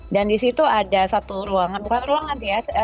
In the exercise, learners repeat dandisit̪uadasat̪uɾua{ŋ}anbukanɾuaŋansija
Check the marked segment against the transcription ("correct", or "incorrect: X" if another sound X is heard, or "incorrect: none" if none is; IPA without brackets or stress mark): correct